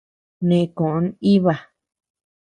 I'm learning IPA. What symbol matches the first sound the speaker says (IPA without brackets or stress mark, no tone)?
n